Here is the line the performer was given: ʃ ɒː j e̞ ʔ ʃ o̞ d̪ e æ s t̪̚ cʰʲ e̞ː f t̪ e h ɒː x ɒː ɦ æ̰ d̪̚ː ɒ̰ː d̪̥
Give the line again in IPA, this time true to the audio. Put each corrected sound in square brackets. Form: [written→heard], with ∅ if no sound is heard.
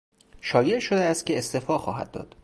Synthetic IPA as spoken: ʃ ɒː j e̞ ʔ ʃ o̞ d̪ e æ s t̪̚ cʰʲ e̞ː [f→s] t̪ e [h→f] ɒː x ɒː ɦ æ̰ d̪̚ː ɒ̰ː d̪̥